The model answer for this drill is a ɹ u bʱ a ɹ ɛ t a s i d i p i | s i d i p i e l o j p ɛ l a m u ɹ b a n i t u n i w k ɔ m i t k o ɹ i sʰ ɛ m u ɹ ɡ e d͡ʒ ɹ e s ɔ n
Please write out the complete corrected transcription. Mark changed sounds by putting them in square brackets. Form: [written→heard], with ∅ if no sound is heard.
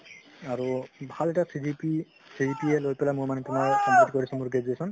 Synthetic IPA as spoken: a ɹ u bʱ a [ɹ→l] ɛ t a s i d i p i | s i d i p i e l o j p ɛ l a m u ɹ [b→m] a n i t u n [i→a] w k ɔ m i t k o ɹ i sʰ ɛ m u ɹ ɡ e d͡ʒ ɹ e s ɔ n